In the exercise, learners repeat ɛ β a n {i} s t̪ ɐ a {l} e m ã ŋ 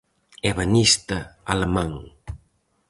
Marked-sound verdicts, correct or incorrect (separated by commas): correct, correct